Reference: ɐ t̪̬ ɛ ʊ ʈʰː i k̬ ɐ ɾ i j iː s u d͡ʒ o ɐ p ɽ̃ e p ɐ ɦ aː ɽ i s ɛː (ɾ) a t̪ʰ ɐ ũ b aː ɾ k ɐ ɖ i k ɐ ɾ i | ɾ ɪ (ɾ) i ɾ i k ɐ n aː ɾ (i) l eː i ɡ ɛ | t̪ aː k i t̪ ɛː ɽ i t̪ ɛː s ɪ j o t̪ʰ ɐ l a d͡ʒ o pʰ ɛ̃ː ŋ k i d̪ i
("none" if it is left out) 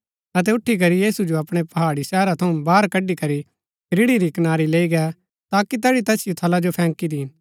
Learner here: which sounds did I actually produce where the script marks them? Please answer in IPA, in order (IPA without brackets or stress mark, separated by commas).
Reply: ɾ, ɽ, i